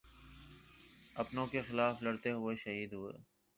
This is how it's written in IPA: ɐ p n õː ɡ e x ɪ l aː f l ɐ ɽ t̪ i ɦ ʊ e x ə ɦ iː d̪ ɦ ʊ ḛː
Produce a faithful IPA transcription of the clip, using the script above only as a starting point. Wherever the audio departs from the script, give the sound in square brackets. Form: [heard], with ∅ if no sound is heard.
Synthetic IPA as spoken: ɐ p n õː [k] e x ɪ l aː f l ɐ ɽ t̪ [e] ɦ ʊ e [ʃ] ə ɦ iː d̪ ɦ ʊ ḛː

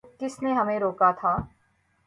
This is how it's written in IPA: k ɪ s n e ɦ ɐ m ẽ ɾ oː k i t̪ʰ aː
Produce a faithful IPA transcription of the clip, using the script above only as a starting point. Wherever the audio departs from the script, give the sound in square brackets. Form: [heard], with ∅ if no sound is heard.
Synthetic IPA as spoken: k ɪ s n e ɦ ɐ m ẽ ɾ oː k [a] t̪ʰ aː

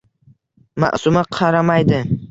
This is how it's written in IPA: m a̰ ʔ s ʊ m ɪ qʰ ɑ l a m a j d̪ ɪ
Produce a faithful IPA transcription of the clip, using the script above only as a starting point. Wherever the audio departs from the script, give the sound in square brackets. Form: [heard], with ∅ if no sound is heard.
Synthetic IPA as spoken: m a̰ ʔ s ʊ m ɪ qʰ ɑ [ɾ] a m a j d̪ ɪ

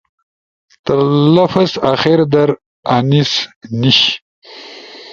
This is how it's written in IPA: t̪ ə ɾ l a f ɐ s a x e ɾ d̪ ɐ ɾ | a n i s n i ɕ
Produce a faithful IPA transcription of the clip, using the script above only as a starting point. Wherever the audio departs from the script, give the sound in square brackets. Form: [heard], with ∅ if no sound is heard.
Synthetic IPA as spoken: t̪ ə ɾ l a f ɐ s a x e ɾ d̪ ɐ ɾ | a n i s n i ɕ

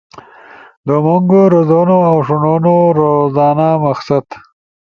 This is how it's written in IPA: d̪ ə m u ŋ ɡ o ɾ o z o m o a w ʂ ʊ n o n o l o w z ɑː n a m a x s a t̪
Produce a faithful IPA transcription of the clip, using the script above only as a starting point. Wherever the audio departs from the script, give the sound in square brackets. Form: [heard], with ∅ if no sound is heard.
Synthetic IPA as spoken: d̪ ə m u ŋ ɡ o ɾ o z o [n] o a w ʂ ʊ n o n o [ɾ] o [∅] z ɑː n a m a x s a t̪

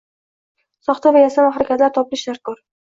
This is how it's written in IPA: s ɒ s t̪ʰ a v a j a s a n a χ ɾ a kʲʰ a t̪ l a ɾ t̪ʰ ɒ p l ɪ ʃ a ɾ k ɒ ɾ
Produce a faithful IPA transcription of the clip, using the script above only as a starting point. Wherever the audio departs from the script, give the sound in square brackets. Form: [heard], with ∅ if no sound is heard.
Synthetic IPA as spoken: s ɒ [χ] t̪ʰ a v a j a s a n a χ ɾ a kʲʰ a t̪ l a ɾ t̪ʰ ɒ p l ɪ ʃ a ɾ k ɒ ɾ

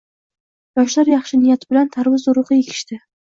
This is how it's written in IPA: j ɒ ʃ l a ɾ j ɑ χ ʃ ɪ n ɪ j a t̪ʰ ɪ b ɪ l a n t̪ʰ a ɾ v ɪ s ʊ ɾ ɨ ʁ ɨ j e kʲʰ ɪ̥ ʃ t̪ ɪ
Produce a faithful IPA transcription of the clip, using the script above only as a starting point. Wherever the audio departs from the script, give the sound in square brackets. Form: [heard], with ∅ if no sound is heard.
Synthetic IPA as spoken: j ɒ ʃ l a ɾ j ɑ χ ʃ ɪ n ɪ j a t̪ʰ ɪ b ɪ l a n t̪ʰ a ɾ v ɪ [z] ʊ ɾ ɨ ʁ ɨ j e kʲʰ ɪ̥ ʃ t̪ ɪ

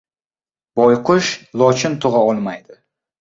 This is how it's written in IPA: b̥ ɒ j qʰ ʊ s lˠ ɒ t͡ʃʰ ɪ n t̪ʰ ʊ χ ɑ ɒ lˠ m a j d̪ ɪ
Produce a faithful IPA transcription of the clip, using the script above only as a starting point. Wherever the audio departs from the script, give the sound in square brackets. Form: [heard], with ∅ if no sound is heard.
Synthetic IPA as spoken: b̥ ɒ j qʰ ʊ [ʃ] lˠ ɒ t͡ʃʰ ɪ n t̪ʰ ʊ [ʁ] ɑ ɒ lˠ m a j d̪ ɪ

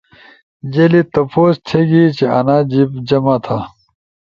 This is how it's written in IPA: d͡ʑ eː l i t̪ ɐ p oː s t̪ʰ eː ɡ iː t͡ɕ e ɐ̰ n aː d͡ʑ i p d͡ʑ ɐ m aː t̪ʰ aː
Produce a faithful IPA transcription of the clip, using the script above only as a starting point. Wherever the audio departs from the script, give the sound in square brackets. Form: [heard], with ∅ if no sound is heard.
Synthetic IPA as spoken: d͡ʑ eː l i t̪ ɐ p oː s t̪ʰ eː ɡ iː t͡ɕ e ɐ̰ n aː d͡ʑ i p d͡ʑ ɐ m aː t̪ʰ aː

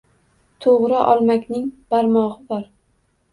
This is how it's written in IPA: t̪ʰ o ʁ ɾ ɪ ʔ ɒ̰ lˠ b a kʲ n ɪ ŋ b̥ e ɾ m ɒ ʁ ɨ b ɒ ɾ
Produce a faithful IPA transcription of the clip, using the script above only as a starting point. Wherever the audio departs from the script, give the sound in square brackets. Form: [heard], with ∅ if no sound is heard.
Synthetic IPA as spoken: t̪ʰ o ʁ ɾ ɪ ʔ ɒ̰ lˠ [m] a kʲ n ɪ ŋ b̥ [a] ɾ m ɒ ʁ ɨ b ɒ ɾ

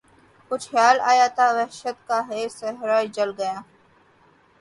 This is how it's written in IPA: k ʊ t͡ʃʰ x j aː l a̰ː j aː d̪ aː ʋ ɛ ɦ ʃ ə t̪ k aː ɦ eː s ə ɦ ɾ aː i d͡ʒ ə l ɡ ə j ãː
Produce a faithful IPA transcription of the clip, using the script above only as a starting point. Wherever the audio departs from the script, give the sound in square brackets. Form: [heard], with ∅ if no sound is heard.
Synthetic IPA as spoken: k ʊ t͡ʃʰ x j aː l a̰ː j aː [t̪] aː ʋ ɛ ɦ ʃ ə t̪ k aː ɦ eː s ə ɦ ɾ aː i d͡ʒ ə l ɡ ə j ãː

